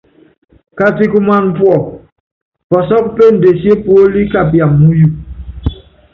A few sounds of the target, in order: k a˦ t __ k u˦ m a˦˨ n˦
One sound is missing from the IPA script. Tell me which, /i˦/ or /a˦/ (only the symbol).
i˦